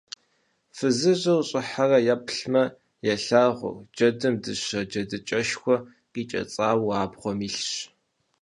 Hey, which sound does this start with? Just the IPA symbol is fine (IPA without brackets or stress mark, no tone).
f